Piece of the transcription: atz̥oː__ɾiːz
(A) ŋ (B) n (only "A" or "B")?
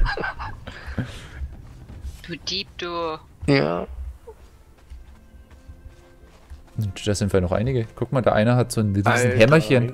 B